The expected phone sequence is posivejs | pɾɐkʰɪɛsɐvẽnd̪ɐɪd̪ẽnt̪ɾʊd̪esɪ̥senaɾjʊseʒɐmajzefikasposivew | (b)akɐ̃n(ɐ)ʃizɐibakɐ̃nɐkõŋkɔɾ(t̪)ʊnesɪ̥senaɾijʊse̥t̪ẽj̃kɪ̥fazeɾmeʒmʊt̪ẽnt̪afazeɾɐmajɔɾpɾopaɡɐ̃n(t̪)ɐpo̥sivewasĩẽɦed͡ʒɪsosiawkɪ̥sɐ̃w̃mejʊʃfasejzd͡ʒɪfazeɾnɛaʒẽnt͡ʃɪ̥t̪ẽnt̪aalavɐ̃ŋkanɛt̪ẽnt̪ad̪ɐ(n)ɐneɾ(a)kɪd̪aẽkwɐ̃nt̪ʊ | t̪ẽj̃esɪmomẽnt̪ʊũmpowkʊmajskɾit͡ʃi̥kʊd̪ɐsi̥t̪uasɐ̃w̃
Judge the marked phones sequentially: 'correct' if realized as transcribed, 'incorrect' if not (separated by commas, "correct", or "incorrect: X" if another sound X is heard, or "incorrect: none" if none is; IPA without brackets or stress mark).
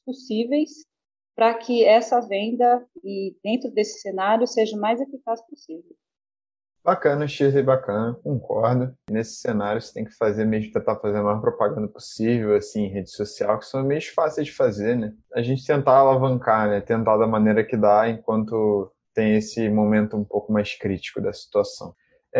correct, correct, incorrect: d̪, incorrect: d̪, incorrect: m, incorrect: ɐ